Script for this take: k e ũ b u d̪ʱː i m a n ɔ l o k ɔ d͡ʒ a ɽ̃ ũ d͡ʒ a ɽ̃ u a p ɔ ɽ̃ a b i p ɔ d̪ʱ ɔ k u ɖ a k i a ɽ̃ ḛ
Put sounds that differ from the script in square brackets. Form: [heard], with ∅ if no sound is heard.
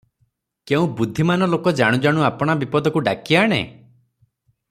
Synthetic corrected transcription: k e ũ b u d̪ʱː i m a n ɔ l o k ɔ d͡ʒ a ɽ̃ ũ d͡ʒ a ɽ̃ u a p ɔ ɽ̃ a b i p ɔ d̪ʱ ɔ k u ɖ a k i a ɽ̃ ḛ